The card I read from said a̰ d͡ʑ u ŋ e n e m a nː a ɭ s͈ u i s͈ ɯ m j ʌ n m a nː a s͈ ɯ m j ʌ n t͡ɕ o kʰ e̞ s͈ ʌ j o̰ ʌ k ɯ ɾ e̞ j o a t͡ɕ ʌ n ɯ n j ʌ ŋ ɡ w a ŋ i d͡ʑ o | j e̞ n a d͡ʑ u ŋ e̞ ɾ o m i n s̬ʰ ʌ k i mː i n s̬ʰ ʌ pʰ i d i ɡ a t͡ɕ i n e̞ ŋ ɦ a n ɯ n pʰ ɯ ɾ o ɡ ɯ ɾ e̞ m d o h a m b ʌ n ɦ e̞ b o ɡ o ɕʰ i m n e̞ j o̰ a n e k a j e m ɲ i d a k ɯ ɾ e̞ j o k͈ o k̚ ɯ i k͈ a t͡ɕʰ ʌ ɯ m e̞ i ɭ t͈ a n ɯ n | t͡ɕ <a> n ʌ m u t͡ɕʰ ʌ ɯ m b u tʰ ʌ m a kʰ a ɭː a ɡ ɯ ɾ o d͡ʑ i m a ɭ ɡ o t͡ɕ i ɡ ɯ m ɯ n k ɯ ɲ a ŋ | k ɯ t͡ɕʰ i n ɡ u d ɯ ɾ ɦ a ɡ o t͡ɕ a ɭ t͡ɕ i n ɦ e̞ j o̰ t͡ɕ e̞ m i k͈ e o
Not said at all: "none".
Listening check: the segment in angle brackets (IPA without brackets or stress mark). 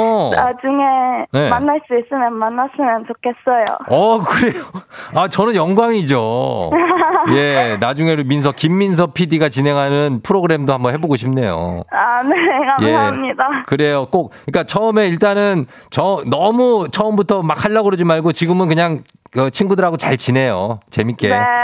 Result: ʌ